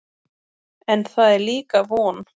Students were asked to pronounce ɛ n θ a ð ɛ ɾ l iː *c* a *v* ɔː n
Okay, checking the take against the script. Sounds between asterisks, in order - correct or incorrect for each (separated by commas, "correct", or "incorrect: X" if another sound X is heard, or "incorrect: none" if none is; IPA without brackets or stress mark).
incorrect: k, correct